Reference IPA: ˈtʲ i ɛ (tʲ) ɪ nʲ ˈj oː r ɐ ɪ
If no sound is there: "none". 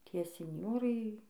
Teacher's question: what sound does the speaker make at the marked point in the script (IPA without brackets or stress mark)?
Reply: sʲ